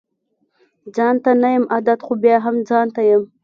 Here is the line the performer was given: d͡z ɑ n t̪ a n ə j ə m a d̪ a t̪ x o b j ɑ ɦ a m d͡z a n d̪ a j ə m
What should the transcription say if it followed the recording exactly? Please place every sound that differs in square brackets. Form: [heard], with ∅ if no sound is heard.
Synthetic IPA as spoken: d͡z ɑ n t̪ a n [a] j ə m a d̪ a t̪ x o b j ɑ ɦ a m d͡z [ɑ] n [t̪] a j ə m